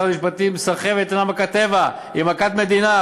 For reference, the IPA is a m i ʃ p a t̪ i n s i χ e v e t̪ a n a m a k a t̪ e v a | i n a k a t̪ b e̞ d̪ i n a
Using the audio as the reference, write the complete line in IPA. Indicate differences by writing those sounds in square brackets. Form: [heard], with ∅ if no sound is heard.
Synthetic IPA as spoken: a m i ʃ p a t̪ i [m] s [a] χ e v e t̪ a n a m a k a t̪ e v a | i [m] a k a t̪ [m] e̞ d̪ i n a